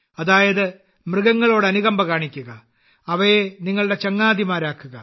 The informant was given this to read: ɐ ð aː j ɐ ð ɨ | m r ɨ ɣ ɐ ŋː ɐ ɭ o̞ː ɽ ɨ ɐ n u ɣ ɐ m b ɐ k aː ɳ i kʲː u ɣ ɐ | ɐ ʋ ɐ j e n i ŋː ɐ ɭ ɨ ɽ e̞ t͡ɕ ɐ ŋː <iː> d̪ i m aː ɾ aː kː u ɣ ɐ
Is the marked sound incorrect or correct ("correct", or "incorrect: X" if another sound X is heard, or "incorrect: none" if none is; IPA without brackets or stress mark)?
incorrect: aː